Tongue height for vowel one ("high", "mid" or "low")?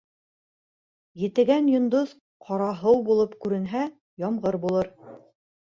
mid